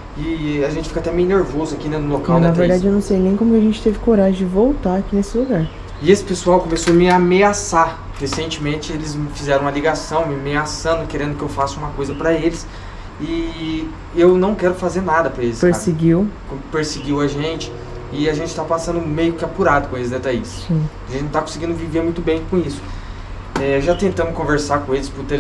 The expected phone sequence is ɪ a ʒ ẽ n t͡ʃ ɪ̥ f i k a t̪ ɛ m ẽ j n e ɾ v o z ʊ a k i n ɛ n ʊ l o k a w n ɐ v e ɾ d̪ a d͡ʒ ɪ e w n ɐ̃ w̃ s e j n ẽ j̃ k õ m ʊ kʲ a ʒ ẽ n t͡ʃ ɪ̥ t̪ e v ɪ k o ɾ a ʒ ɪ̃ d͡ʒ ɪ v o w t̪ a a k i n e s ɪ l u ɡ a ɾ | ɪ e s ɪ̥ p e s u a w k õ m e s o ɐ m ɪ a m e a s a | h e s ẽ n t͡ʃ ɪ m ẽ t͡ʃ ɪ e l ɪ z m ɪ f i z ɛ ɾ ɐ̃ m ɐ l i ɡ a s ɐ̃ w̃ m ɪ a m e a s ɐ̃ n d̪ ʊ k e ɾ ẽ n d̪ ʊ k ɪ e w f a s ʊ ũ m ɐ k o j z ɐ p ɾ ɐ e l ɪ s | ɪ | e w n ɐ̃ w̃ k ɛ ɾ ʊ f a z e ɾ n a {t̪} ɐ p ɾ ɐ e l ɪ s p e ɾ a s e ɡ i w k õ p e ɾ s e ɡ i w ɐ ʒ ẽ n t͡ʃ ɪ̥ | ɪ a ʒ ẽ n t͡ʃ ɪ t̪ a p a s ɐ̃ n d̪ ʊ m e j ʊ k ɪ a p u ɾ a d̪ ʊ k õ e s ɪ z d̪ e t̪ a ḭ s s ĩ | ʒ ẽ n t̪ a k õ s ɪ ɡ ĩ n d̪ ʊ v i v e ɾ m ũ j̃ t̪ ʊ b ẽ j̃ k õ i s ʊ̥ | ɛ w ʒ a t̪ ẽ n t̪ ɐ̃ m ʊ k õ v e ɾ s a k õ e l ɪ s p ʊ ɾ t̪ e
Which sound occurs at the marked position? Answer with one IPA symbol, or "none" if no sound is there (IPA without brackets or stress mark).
d̪